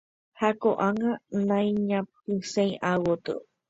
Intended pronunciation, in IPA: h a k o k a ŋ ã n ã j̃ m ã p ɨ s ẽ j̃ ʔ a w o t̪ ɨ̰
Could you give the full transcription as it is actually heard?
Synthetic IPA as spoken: h a k o ʔ a ŋ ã n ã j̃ ɲ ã p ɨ s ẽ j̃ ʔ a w o t̪ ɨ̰

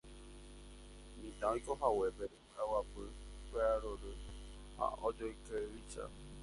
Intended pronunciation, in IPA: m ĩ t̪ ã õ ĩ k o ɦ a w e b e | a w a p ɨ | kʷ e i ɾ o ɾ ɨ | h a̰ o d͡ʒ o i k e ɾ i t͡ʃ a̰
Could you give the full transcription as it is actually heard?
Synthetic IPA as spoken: m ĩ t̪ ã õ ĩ k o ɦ a w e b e | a w a p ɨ | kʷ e a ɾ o ɾ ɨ | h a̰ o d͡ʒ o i k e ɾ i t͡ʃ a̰

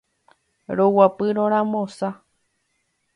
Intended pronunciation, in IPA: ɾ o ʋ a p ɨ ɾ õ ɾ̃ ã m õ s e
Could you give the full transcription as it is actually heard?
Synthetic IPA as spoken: ɾ o w a p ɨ ɾ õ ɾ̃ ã m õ s a

